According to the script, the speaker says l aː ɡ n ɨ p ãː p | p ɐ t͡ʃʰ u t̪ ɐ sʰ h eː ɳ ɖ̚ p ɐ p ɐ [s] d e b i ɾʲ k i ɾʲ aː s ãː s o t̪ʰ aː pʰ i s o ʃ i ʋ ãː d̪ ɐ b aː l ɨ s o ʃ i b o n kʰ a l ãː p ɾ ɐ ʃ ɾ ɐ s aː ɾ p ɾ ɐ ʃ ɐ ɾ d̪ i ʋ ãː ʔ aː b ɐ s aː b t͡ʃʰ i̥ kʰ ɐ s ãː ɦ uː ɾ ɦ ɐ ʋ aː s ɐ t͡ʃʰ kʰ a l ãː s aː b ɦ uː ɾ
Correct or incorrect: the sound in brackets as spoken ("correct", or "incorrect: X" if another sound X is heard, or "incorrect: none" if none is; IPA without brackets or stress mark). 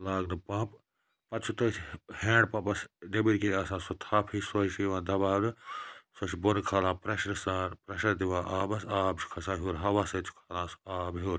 correct